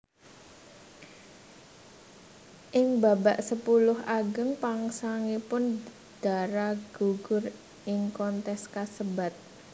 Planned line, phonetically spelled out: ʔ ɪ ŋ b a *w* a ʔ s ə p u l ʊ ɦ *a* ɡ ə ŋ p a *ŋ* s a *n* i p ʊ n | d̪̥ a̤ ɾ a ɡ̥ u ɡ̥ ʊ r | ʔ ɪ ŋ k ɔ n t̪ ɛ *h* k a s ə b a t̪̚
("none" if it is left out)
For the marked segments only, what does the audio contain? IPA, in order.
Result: b, a, ŋ, ŋ, s

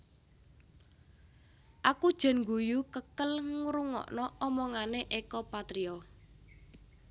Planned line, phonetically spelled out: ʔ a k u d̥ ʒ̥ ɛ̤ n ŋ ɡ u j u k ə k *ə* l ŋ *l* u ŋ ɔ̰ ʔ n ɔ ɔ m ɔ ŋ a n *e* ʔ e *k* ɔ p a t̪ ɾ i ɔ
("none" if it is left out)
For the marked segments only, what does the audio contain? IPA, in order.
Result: ə, ɾ, e, k

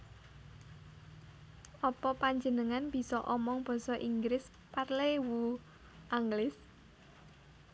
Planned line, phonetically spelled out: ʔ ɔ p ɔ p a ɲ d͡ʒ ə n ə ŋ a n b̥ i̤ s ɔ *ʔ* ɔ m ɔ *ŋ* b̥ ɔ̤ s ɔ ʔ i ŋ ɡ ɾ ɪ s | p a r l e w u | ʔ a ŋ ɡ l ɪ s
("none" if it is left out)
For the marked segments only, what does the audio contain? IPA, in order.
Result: ʔ, ŋ

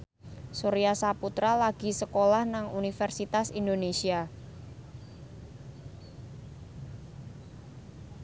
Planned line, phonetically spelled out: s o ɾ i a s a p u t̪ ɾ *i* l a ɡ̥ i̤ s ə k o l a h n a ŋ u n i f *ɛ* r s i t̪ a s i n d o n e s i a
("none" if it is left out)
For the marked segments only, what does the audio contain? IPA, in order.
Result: a, ɛ

